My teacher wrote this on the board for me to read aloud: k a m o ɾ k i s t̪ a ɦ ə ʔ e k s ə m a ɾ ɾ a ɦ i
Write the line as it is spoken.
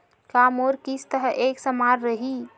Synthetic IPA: k a m o ɾ k i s t̪ ə ɦ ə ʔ e k s ə m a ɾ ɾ ə ɦ i